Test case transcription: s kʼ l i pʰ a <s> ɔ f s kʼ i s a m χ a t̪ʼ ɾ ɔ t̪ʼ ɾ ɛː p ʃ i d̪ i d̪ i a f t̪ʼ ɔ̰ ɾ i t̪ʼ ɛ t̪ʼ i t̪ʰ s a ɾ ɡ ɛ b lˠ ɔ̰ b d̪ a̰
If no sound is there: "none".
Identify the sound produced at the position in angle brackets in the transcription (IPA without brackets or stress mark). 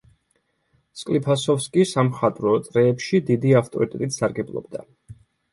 s